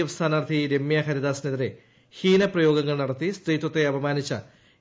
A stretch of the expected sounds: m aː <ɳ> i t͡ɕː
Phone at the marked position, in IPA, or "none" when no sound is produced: n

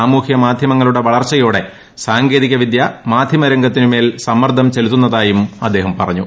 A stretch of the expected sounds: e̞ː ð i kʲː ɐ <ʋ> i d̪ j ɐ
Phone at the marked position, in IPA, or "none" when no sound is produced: ʋ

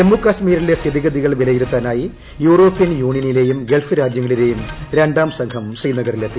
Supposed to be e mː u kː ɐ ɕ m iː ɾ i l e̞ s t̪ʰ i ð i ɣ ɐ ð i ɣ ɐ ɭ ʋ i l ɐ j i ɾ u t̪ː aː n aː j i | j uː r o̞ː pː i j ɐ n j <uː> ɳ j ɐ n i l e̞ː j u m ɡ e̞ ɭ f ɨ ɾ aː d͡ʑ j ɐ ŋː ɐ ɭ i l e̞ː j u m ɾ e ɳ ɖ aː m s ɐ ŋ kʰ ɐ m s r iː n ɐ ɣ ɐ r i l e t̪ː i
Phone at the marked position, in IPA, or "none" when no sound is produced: uː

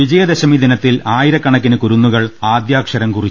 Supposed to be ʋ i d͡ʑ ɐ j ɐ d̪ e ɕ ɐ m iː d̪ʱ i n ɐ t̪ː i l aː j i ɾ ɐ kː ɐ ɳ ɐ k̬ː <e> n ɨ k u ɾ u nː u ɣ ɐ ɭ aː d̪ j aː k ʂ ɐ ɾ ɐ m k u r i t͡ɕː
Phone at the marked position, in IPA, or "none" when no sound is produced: i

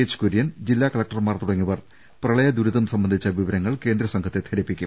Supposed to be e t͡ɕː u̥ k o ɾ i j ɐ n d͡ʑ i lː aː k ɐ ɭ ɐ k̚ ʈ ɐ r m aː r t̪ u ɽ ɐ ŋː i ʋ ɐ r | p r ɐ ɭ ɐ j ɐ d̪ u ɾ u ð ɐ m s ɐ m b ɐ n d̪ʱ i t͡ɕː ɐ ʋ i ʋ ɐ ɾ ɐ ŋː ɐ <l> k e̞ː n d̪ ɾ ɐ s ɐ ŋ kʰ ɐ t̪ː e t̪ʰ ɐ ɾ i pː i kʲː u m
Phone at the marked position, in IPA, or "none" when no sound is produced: ɭ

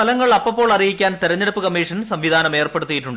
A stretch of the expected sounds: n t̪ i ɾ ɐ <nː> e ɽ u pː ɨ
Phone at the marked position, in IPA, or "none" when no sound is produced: ɲː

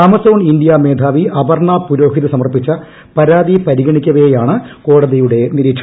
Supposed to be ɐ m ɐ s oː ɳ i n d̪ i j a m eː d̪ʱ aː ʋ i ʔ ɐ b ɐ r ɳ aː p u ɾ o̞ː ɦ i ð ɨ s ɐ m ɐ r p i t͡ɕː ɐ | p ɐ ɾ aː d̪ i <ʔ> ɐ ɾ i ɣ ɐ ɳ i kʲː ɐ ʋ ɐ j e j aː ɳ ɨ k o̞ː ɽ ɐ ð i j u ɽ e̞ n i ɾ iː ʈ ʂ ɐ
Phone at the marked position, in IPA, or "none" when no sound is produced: p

